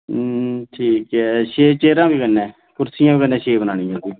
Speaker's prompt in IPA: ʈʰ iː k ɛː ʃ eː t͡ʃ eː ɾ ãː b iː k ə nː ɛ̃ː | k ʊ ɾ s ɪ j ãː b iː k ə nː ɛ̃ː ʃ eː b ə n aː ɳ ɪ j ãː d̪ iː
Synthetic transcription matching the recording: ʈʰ iː k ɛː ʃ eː t͡ʃ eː ɾ ãː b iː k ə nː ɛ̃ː | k ʊ ɾ s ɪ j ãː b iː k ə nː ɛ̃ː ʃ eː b ə n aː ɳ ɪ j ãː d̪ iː